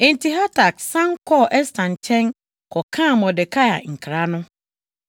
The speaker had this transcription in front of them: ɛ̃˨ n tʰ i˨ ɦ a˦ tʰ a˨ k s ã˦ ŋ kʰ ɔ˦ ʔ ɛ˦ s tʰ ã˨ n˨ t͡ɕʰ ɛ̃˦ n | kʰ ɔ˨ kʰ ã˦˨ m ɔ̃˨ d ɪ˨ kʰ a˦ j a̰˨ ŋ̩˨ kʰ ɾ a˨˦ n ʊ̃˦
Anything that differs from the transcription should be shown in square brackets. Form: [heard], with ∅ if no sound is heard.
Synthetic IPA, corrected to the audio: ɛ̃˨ n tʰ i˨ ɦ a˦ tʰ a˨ k s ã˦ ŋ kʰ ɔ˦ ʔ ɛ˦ s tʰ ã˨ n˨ t͡ɕʰ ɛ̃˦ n | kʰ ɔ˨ kʰ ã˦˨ m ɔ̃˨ d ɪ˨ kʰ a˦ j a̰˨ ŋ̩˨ kʰ ɾ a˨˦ n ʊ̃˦